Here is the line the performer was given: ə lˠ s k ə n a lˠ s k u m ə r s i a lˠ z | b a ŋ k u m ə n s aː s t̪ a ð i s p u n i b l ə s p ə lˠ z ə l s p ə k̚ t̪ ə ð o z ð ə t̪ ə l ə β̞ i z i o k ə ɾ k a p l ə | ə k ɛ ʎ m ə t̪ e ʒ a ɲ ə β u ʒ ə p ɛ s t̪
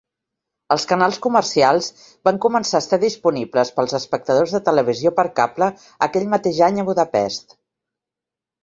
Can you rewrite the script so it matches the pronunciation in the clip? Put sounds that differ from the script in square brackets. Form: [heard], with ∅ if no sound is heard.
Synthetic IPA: ə lˠ s k ə n a lˠ s k u m ə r s i a lˠ z | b a ŋ k u m ə n s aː s t̪ a ð i s p u n i b l ə s p ə lˠ z ə [∅] s p ə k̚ t̪ ə ð o z ð ə t̪ ə l ə β̞ i z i o [p] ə ɾ k a p l ə | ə k ɛ ʎ m ə t̪ e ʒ a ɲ ə β u [ð] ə p ɛ s t̪